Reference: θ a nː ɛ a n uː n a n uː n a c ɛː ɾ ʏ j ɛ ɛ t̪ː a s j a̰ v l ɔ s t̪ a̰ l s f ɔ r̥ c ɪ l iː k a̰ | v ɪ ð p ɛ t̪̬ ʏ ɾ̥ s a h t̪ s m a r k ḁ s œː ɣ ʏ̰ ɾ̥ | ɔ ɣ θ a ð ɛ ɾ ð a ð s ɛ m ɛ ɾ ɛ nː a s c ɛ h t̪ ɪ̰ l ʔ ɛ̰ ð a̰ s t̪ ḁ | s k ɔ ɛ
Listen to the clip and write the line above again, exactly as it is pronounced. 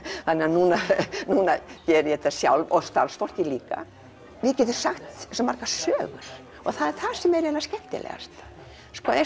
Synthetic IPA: θ a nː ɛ a n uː n a n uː n a c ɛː ɾ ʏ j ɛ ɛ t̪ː a s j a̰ w l ɔ s t̪ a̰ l s f ɔ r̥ c ɪ l iː k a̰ | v ɪ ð c ɛ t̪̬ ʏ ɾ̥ s a x t̪ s m a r k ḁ s œː ɣ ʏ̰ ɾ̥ | ɔ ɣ θ a ð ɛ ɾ θ a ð s ɛ m ɛ ɾ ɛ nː a s c ɛ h t̪ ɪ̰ l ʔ ɛ̰ ɣ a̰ s t̪ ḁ | s k ɔ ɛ